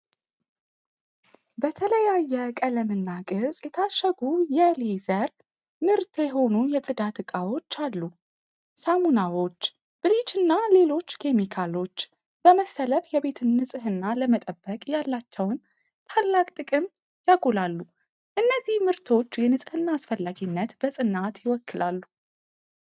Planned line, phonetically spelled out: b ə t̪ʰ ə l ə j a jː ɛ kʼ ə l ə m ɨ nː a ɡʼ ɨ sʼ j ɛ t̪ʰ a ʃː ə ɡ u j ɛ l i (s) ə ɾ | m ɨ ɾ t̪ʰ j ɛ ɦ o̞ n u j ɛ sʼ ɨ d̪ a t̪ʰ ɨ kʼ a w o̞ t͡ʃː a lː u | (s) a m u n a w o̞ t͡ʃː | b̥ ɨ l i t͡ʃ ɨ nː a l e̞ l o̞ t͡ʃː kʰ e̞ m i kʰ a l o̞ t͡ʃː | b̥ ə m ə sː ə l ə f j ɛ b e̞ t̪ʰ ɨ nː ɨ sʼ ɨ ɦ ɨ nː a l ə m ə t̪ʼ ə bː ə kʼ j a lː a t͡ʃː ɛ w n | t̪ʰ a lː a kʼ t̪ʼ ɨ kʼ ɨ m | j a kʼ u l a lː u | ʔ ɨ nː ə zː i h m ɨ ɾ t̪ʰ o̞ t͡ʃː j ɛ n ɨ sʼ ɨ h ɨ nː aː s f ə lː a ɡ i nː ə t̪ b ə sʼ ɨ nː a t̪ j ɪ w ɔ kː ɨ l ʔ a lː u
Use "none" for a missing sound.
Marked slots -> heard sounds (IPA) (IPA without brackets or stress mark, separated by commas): z, s